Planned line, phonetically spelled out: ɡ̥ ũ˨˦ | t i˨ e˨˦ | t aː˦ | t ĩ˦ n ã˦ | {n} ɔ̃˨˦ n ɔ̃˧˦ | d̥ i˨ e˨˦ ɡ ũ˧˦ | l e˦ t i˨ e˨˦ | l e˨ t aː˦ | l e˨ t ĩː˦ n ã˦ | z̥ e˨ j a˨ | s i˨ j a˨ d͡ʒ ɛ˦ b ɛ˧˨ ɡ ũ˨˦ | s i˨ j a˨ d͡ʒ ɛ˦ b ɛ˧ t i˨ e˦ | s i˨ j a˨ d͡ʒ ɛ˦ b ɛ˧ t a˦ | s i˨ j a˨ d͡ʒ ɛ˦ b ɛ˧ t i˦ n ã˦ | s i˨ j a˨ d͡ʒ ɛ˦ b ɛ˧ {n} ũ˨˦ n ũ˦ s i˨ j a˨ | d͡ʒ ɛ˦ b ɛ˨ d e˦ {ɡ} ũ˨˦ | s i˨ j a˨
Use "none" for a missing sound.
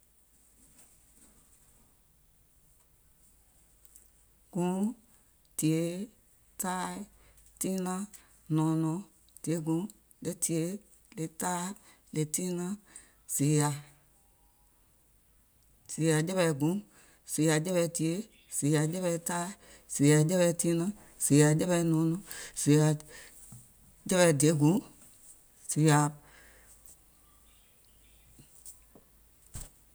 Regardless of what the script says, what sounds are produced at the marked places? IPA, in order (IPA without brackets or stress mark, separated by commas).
n, n, ɡ